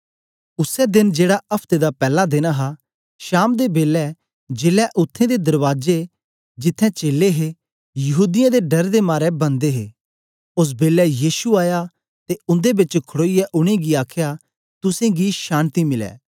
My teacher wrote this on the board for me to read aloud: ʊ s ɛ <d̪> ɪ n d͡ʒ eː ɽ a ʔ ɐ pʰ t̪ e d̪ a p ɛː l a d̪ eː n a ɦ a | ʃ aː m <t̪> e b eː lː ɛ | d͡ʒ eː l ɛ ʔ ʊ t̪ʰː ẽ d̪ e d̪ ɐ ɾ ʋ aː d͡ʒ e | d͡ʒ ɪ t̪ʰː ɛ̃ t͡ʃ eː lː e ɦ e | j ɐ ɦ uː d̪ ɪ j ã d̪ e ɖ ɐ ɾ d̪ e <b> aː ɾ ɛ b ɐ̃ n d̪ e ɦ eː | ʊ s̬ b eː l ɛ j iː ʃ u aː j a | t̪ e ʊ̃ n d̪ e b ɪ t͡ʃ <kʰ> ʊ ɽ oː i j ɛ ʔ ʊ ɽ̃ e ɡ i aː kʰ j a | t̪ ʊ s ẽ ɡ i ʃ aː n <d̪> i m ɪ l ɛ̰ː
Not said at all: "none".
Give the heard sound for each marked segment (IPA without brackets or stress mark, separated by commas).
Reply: d̪, d̪, m, kʰ, t̪